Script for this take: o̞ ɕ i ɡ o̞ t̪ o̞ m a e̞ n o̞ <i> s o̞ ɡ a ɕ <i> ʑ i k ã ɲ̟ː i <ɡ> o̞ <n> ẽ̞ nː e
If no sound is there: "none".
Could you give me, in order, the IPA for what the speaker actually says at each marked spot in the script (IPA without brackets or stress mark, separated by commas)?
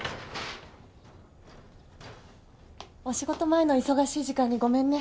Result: i, iː, ɡ, m